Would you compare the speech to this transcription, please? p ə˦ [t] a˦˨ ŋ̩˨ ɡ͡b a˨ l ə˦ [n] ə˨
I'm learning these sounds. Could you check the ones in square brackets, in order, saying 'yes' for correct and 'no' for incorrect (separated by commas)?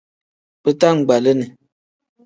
yes, yes